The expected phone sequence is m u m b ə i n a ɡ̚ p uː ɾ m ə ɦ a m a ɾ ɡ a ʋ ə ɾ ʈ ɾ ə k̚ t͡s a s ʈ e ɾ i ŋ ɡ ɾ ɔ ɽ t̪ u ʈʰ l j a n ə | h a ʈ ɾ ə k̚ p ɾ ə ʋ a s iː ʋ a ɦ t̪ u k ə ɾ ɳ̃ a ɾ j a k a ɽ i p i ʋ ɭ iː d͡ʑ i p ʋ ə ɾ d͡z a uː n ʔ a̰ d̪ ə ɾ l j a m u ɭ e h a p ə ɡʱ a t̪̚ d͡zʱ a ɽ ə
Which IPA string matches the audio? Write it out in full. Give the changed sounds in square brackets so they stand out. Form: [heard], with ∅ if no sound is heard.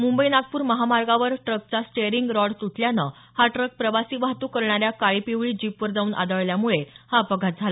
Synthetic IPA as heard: m u m b ə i n a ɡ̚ p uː ɾ m ə ɦ a m a ɾ ɡ a ʋ ə ɾ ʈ ɾ ə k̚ t͡s a s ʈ e ɾ i ŋ ɡ ɾ ɔ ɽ t̪ u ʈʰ l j a n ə | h a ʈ ɾ ə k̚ p ɾ ə ʋ a s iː ʋ a ɦ t̪ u k ə ɾ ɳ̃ a ɾ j a k a [ɭ] i p i ʋ ɭ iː d͡ʑ i p ʋ ə ɾ d͡z a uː n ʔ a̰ d̪ ə [ɭ] l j a m u ɭ e h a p ə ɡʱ a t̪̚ d͡zʱ a [l] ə